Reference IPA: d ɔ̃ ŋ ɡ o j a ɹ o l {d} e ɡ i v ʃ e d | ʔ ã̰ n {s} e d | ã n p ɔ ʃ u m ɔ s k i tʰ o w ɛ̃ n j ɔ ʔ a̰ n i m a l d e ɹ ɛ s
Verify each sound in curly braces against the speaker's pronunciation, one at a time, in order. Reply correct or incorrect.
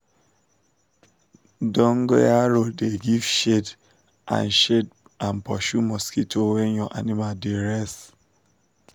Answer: correct, incorrect: ʃ

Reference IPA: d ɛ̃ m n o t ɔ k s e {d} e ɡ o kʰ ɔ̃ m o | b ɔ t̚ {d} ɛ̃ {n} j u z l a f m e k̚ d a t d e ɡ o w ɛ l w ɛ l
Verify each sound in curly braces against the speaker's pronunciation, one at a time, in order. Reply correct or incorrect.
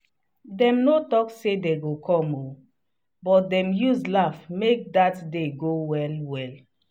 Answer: correct, correct, incorrect: m

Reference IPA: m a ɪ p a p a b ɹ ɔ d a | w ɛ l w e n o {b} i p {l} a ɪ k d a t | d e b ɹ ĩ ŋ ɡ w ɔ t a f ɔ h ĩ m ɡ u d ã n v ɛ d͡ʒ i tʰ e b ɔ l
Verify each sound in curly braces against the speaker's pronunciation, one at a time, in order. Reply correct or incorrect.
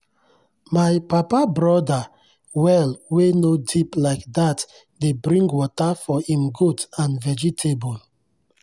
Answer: incorrect: d, correct

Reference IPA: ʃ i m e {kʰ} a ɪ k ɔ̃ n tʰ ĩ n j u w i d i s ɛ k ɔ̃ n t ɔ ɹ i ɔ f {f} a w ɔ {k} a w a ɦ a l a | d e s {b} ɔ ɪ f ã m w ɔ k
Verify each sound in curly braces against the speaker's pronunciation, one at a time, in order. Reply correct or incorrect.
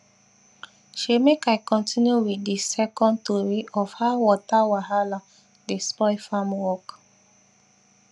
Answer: incorrect: k, incorrect: h, incorrect: t, incorrect: p

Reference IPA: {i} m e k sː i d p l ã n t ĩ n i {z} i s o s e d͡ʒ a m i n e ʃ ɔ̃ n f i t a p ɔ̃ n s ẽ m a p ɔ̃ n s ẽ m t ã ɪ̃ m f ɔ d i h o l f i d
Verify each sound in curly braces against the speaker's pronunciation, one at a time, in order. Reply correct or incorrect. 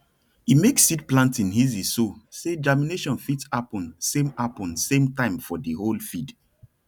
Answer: correct, correct

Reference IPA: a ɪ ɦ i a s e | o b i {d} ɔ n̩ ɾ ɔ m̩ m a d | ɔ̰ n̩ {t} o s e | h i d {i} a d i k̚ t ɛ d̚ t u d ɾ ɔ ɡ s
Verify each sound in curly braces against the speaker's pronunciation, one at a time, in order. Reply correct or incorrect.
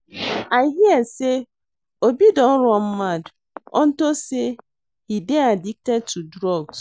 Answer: correct, correct, incorrect: e

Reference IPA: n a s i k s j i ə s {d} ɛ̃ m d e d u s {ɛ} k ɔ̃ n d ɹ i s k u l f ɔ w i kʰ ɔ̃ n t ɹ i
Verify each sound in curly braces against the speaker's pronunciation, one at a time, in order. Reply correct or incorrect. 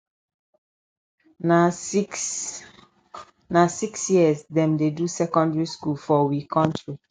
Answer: correct, correct

